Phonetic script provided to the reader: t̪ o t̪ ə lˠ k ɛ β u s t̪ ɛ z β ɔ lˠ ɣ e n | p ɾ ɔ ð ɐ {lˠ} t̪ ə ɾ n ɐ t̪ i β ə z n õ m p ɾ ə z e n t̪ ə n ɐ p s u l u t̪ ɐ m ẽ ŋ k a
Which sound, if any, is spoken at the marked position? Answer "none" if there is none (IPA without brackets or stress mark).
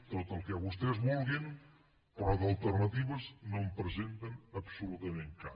lˠ